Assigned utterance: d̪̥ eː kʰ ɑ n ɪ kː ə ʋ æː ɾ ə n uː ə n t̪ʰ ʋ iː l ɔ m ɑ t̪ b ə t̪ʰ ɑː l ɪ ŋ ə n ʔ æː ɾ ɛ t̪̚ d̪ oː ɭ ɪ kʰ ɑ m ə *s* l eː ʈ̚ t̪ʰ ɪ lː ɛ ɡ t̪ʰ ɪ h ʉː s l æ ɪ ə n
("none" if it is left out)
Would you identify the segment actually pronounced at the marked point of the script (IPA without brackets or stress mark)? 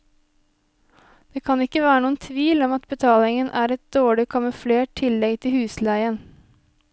f